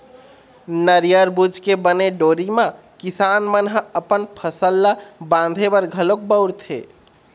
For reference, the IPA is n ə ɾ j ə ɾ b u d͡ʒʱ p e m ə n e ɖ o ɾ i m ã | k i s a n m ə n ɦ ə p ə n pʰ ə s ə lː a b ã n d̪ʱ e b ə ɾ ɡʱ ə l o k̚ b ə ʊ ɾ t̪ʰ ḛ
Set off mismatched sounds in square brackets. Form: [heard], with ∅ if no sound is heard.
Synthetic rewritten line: n ə ɾ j ə ɾ b u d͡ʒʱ [k] e [b] ə n e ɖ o ɾ i m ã | k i s a n m ə n ɦ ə p ə n pʰ ə s ə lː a b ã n d̪ʱ e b ə ɾ ɡʱ ə l o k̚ b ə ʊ ɾ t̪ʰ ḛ